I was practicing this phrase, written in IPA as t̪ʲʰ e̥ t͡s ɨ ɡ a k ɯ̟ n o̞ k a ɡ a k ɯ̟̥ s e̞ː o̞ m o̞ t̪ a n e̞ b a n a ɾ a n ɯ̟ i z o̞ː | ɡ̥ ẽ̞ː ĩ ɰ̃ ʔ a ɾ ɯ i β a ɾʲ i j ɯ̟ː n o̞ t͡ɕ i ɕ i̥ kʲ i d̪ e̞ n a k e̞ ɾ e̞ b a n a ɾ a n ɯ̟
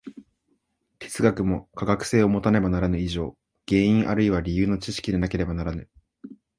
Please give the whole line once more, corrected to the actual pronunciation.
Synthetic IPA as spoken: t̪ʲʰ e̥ t͡s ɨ ɡ a k ɯ̟ m o̞ k a ɡ a k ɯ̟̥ s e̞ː o̞ m o̞ t̪ a n e̞ b a n a ɾ a n ɯ̟ i ʑ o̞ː | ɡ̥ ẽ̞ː ĩ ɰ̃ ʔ a ɾ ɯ i β a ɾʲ i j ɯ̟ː n o̞ t͡ɕ i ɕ i̥ kʲ i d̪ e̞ n a k e̞ ɾ e̞ b a n a ɾ a n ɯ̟